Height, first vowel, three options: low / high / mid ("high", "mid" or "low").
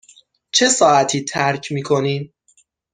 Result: mid